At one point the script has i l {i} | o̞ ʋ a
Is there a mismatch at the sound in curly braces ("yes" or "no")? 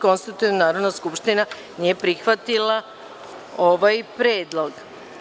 yes